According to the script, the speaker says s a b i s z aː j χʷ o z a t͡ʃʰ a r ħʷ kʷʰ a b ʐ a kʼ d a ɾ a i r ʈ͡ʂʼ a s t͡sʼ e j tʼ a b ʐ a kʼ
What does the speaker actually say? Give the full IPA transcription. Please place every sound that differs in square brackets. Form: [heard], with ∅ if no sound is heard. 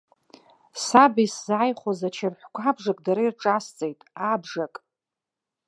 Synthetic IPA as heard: s a b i s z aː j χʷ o z a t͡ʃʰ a r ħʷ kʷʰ a b ʐ a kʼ d a ɾ a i r ʈ͡ʂʼ a s t͡sʼ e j tʼ a b ʐ a kʼ